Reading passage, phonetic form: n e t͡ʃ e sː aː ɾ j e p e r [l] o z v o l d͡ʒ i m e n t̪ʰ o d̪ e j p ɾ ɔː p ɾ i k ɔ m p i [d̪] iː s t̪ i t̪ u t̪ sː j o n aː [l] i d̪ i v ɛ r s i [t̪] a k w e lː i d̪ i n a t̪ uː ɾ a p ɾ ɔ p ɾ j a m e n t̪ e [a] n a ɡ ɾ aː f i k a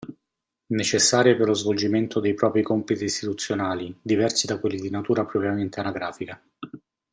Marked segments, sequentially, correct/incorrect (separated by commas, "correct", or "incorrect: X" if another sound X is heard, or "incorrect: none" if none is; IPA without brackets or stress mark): correct, incorrect: t̪, correct, incorrect: d̪, correct